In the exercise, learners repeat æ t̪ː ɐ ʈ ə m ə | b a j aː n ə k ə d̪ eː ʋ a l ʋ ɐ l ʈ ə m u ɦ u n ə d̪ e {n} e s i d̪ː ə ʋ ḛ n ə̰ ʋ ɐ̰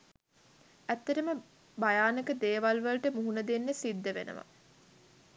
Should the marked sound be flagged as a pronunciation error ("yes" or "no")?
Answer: yes